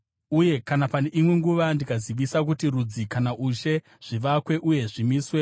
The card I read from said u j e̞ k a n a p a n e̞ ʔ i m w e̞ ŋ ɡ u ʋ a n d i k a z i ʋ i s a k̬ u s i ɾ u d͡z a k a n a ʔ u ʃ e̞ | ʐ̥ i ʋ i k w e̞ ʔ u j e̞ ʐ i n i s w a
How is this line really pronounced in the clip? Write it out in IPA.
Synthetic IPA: u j e̞ k a n a p a n e̞ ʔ i m w e̞ ŋ ɡ u ʋ a n d i k a z i ʋ i s a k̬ u t i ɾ u d͡z i k a n a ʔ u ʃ e̞ | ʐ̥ i ʋ a k w e̞ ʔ u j e̞ ʐ i m i s w e